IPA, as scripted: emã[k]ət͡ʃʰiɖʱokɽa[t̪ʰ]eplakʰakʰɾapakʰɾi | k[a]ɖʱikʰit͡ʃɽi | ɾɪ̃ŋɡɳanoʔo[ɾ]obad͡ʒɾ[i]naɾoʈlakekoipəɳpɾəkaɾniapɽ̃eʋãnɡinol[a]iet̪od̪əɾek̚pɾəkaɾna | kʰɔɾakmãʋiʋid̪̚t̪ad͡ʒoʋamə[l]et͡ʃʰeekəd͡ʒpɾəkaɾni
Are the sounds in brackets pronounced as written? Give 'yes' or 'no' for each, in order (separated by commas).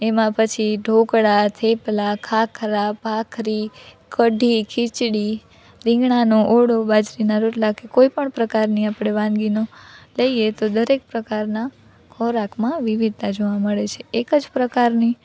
no, yes, no, no, yes, no, no